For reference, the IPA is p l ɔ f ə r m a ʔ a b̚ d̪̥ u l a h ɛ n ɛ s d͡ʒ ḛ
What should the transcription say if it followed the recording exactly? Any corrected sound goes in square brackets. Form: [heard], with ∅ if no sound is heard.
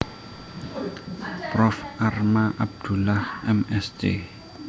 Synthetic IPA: p [r] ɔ f [a] r m a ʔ a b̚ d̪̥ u l a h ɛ [m] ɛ s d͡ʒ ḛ